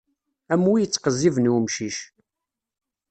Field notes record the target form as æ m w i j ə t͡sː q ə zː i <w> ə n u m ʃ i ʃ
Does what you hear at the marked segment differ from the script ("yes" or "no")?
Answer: yes